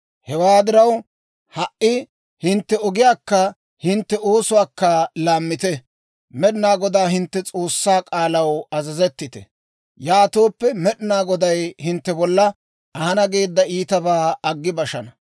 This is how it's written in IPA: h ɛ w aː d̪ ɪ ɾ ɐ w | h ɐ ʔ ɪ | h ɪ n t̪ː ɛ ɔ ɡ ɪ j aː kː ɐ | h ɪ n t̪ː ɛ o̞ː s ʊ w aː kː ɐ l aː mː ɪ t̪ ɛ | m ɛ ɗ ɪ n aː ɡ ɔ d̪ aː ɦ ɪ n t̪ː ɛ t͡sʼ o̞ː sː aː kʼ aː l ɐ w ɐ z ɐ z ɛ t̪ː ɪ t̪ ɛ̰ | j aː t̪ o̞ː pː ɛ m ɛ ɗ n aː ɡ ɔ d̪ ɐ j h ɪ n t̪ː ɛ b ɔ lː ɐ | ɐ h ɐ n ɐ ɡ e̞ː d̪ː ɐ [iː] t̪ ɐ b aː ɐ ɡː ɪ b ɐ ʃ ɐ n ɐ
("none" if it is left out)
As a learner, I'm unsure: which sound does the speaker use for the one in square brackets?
iː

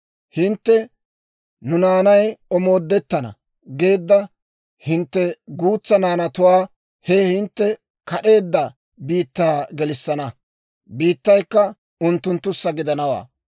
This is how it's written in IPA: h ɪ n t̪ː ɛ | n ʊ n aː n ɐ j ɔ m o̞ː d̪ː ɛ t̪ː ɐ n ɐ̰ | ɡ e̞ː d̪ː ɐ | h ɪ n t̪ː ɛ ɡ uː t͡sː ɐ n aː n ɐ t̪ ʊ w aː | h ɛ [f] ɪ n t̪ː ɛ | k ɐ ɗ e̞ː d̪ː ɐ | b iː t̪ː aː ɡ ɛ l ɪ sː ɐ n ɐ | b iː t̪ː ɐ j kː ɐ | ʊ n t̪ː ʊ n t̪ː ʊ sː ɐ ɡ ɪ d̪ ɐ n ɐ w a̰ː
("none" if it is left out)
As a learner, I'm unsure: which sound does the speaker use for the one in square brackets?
h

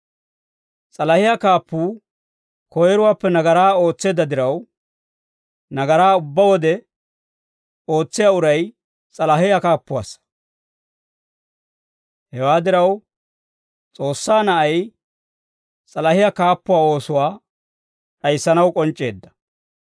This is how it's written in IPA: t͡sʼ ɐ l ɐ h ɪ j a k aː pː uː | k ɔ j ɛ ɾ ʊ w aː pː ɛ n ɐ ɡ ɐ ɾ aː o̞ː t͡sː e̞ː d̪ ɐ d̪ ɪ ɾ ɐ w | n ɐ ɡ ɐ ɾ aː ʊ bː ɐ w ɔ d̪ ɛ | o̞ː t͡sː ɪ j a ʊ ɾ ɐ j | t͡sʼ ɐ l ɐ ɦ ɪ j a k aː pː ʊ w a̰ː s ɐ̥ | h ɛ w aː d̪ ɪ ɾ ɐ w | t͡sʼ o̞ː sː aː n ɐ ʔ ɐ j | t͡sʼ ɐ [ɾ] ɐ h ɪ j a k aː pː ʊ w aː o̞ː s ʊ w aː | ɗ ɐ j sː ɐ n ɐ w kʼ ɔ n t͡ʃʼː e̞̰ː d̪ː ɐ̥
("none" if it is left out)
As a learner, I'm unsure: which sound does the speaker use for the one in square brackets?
l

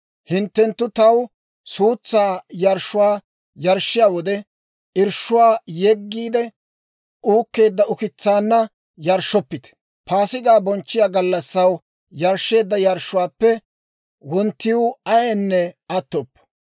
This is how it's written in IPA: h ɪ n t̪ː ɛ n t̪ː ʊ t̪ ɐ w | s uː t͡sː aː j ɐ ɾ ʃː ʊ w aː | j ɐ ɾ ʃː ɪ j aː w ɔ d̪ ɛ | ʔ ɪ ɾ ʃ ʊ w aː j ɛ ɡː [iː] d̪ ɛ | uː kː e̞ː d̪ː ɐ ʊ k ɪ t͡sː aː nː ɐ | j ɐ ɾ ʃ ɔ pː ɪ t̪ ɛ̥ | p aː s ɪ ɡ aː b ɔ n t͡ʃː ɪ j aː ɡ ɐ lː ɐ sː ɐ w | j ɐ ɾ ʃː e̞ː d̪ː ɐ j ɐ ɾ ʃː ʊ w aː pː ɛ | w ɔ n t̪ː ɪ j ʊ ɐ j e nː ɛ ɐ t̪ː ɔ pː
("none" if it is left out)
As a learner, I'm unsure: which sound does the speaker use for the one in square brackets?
iː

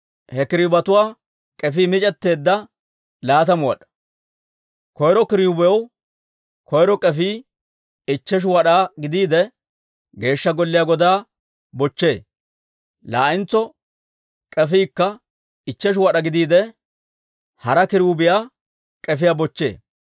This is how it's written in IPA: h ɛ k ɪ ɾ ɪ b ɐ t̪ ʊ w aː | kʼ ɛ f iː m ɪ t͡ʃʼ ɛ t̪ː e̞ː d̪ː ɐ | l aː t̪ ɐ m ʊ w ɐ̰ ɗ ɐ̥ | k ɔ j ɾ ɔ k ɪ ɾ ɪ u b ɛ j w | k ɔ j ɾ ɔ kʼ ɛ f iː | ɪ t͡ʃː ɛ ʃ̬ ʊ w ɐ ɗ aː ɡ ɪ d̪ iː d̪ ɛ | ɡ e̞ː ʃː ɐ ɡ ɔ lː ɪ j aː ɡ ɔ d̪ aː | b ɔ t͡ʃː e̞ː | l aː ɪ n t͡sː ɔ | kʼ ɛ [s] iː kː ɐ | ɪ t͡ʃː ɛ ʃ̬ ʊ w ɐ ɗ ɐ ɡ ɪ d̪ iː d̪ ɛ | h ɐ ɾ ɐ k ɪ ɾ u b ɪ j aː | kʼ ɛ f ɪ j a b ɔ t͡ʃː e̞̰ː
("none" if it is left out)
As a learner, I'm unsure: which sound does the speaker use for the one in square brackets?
f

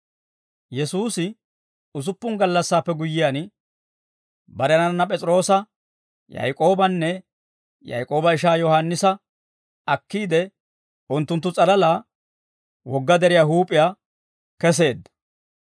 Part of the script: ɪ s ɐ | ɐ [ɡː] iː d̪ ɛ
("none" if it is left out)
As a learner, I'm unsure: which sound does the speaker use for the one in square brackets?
kː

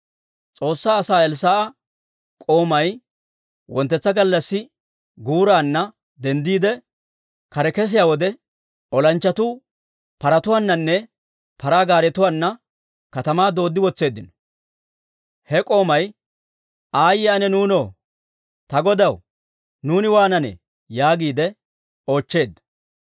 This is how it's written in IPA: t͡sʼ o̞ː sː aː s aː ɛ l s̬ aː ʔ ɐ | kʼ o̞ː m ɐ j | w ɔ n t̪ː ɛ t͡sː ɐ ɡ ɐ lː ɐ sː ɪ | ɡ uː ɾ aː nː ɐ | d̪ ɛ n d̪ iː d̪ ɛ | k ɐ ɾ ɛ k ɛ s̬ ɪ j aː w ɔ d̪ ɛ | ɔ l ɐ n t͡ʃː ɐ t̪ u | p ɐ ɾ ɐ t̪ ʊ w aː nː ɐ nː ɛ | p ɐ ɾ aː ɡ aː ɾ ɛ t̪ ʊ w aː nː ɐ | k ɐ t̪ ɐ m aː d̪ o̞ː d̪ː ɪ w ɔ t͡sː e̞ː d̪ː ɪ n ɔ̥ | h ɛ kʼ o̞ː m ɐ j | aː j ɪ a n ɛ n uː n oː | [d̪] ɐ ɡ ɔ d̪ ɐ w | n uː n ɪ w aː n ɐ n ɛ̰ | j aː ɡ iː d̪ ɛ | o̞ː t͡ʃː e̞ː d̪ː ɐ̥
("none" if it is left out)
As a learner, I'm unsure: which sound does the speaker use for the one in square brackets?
t̪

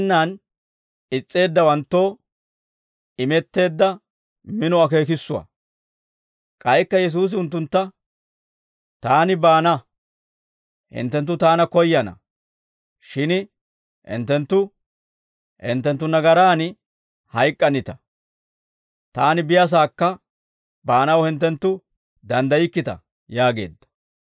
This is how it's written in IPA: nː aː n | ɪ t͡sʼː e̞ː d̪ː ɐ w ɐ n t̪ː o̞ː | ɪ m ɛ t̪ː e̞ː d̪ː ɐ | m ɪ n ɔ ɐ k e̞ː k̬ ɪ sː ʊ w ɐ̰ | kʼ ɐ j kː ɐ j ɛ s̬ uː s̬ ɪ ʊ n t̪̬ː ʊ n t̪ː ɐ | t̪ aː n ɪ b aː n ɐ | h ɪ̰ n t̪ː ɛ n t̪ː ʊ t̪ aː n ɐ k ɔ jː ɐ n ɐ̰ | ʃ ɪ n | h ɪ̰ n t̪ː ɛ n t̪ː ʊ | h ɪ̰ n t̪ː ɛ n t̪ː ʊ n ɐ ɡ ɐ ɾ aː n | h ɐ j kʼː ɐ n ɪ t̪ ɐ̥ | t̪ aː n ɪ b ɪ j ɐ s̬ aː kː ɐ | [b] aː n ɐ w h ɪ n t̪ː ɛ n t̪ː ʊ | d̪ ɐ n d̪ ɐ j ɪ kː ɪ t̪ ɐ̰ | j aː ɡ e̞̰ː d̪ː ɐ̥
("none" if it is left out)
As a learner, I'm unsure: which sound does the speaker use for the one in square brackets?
b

